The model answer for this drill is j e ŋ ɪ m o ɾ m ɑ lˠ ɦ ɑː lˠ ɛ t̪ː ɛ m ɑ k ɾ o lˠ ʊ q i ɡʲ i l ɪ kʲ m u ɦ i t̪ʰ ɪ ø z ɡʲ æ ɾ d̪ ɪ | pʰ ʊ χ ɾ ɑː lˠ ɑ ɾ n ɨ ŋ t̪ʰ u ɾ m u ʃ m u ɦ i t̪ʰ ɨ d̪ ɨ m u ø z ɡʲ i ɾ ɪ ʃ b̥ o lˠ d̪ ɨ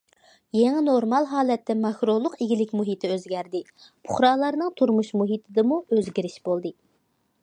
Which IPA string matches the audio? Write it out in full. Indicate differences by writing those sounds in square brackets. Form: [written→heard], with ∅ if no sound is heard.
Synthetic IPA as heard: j e ŋ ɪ [m→n] o ɾ m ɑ lˠ ɦ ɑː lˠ ɛ t̪ː ɛ m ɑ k ɾ o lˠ ʊ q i ɡʲ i l ɪ kʲ m u ɦ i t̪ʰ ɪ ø z ɡʲ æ ɾ d̪ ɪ | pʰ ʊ χ ɾ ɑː lˠ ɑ ɾ n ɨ ŋ t̪ʰ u ɾ m u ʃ m u ɦ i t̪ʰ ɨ d̪ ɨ m u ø z ɡʲ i ɾ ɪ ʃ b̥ o lˠ d̪ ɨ